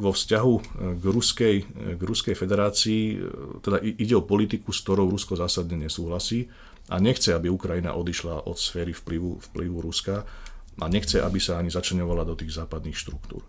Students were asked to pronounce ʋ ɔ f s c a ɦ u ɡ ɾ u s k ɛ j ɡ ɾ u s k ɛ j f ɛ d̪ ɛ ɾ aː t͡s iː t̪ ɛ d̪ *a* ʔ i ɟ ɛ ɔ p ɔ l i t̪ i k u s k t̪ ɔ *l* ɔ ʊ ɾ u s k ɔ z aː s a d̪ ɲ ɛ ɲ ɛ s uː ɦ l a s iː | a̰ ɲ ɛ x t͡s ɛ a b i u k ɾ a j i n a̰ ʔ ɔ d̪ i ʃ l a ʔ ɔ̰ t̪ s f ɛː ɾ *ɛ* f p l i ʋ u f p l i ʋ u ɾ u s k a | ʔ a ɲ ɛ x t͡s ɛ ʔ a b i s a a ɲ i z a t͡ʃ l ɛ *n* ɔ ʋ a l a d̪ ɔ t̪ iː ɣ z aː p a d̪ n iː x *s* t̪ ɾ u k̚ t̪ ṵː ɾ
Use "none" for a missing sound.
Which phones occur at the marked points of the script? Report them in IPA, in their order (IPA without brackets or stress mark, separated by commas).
a, ɾ, i, ɲ, ʃ